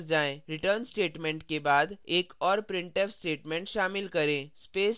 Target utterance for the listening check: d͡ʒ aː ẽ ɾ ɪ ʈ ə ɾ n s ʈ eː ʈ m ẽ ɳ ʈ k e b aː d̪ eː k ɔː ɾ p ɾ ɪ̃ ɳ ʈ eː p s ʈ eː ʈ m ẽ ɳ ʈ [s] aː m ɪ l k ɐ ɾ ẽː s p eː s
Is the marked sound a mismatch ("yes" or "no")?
yes